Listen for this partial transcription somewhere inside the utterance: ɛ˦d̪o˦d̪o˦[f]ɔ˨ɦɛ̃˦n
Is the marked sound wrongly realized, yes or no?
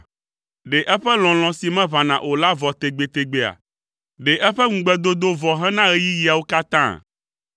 yes